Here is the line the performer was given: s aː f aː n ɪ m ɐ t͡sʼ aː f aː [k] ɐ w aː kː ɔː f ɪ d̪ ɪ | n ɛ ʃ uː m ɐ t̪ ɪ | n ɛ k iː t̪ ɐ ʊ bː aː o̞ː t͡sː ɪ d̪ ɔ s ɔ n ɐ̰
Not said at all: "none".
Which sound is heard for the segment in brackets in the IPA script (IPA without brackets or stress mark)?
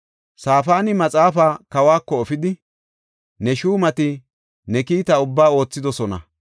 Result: k